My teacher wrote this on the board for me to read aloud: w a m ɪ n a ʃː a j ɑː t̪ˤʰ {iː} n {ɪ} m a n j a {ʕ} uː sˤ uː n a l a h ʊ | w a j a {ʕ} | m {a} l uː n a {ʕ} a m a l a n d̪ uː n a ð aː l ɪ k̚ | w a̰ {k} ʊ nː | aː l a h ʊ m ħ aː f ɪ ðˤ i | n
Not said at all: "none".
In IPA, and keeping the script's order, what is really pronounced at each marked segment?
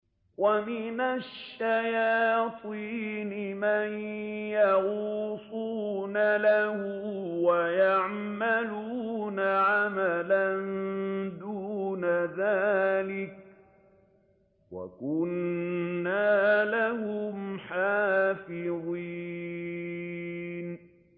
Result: iː, ɪ, ɣ, ʕ, a, ʕ, k

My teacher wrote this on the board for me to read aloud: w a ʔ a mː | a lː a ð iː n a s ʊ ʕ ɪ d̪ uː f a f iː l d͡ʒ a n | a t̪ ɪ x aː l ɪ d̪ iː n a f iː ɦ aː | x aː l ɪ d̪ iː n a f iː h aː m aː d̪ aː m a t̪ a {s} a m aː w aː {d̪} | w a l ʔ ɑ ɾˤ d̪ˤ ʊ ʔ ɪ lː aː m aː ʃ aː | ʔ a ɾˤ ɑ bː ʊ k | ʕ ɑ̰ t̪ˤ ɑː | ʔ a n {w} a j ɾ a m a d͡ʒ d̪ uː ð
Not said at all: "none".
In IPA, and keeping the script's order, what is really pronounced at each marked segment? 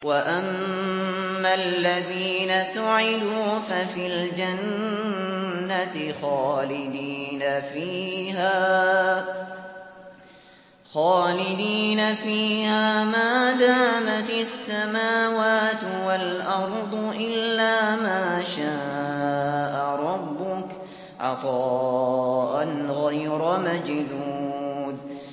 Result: sː, t̪, ɣ

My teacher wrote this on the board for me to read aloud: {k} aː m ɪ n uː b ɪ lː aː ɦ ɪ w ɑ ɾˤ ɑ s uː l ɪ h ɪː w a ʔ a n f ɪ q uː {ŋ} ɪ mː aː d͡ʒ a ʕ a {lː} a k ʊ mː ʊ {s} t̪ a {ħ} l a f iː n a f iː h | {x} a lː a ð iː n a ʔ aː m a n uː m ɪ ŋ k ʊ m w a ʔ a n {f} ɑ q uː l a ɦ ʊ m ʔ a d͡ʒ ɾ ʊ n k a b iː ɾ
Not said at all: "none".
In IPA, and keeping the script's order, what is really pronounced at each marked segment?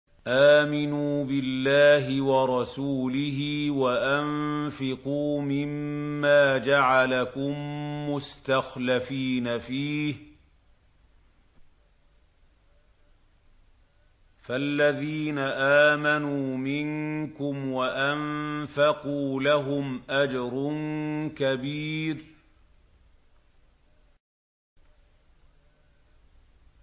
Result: ʔ, m, l, s, x, f, f

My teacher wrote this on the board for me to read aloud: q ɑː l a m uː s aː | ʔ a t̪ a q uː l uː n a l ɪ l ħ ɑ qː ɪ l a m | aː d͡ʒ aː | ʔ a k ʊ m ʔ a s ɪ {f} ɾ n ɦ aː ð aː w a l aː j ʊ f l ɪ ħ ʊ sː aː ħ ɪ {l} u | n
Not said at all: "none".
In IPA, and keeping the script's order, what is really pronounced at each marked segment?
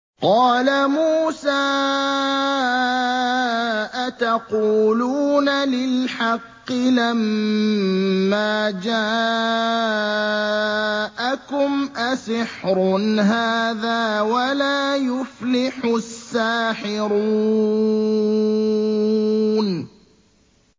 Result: ħ, ɾ

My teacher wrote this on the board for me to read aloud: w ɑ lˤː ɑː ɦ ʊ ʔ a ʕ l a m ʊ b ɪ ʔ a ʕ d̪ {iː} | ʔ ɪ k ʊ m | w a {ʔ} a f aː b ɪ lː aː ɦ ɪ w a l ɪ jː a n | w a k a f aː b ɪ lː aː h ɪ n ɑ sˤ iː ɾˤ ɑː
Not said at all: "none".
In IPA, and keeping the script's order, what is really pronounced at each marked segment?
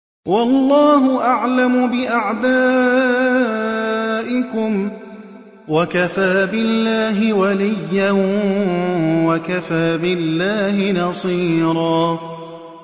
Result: aː, k

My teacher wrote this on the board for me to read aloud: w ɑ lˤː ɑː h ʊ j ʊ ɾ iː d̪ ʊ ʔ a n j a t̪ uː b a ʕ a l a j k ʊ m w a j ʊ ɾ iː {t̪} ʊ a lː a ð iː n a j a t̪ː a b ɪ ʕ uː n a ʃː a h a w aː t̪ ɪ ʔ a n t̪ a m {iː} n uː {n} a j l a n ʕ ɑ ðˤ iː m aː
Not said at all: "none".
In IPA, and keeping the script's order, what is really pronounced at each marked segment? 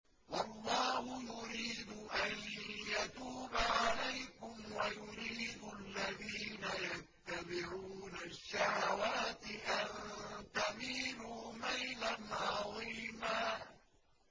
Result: d̪, iː, m

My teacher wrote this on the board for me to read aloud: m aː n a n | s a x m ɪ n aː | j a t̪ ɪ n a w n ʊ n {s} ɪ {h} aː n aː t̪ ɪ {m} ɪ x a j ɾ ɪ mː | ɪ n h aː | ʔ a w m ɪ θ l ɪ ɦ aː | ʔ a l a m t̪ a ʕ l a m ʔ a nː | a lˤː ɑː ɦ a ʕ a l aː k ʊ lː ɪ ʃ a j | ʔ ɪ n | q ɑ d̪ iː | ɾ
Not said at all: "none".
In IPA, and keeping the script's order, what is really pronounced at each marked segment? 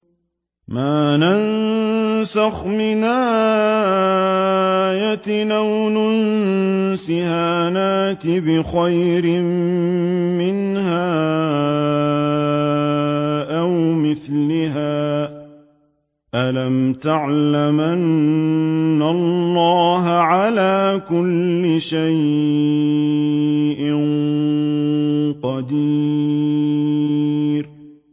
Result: s, h, b

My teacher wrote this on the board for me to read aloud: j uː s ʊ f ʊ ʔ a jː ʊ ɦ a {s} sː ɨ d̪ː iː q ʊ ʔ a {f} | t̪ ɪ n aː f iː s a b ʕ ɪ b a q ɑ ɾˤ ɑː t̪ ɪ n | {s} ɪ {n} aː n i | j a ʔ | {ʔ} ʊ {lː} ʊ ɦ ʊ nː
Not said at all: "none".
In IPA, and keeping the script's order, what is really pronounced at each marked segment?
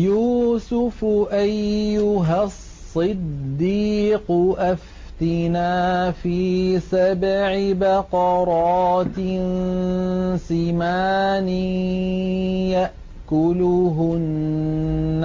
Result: s, f, s, m, k, l

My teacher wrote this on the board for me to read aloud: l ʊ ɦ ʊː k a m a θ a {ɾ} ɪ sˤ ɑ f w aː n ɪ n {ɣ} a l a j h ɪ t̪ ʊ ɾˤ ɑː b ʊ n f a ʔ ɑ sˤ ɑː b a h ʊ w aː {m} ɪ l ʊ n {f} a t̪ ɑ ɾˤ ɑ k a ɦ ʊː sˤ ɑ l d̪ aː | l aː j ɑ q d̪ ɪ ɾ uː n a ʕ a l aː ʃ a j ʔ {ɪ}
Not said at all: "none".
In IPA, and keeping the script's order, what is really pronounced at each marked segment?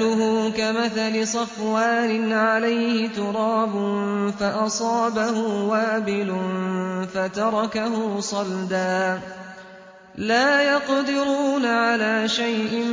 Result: l, ʕ, b, f, ɪ

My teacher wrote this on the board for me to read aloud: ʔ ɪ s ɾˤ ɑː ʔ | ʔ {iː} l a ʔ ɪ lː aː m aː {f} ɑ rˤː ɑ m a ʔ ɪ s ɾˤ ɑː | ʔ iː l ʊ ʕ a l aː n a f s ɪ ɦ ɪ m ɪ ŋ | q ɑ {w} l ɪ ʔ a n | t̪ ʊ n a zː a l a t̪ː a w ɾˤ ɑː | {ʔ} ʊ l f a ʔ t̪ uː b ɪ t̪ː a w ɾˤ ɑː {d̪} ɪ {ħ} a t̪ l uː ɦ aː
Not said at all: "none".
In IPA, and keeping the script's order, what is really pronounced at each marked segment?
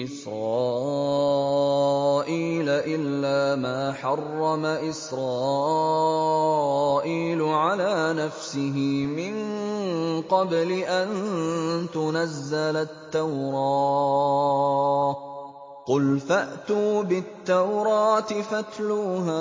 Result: iː, ħ, b, q, t̪, f

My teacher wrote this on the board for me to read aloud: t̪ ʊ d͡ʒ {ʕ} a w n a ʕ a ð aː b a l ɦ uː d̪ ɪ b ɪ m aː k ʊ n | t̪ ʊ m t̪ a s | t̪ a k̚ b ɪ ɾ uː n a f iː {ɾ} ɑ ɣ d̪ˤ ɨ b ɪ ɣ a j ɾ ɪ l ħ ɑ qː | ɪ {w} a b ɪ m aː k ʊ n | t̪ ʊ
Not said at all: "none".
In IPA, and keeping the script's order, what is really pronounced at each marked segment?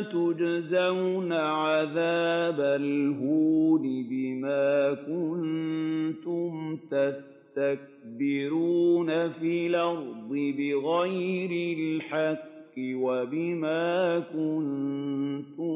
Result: z, l, w

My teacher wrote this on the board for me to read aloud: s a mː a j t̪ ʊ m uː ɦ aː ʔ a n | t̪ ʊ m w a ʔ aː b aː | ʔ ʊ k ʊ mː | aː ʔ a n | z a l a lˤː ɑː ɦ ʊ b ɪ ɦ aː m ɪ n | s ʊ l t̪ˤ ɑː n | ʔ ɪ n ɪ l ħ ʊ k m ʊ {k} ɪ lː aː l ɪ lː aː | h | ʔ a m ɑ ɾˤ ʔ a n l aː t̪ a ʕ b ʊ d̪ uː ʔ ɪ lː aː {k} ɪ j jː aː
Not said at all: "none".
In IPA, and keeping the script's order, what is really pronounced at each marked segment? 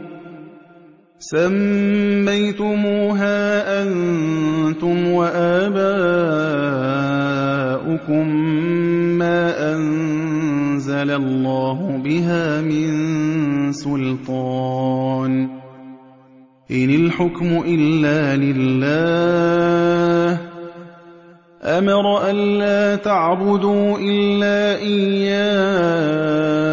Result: ʔ, ʔ

